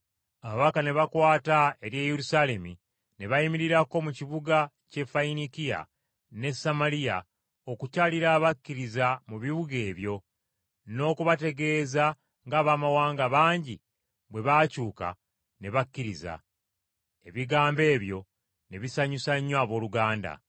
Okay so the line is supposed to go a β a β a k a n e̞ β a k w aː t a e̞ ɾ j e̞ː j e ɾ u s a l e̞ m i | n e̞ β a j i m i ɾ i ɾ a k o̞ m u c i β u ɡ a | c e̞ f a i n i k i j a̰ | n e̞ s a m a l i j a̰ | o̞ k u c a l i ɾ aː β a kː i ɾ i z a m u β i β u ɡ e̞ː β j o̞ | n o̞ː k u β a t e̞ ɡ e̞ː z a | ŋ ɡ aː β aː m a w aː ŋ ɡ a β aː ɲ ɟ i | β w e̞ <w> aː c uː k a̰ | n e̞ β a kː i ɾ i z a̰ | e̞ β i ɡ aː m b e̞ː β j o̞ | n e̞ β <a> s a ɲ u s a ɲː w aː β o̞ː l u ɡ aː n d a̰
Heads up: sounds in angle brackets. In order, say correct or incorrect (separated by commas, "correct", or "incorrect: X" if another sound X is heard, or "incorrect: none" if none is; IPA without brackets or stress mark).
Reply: incorrect: β, incorrect: i